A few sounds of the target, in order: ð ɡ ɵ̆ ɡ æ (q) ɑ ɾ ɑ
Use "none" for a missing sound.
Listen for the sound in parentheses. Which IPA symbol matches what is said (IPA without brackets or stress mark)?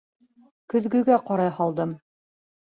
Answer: q